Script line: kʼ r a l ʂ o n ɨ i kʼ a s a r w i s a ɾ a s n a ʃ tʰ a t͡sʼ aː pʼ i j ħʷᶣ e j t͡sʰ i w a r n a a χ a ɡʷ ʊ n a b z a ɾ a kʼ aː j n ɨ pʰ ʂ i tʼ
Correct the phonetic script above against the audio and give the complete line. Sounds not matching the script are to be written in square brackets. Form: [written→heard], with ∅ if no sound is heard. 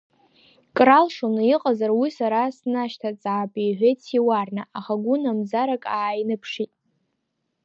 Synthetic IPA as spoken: kʼ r a l ʂ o n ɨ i [kʼ→qʼ] a [s→z] a r w i s a ɾ a s n a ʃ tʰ a t͡sʼ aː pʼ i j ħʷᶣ e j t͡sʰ i w a r n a a χ a ɡʷ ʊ n a [b→m] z a ɾ a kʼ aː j n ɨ pʰ ʂ i tʼ